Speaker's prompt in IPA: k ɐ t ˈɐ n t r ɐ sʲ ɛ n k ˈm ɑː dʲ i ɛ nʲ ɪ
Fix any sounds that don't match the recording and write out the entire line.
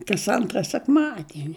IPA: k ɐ s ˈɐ n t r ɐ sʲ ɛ k ˈm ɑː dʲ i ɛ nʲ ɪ